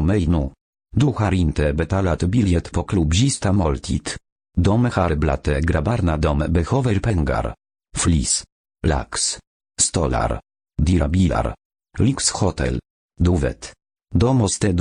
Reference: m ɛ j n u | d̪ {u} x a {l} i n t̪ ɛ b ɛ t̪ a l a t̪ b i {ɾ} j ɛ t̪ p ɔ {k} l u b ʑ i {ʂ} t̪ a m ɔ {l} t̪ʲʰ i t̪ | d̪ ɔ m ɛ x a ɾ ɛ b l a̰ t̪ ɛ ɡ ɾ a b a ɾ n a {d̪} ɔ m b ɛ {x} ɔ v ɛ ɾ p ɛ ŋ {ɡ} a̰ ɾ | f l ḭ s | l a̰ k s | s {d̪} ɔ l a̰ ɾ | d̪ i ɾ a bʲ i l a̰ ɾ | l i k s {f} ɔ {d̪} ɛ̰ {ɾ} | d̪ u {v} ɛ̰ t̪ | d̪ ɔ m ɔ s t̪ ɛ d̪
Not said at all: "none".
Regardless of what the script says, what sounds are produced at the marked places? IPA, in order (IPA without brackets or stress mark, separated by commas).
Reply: u, ɾ, l, k, s, l, d̪, x, ɡ, t̪, x, t̪, l, v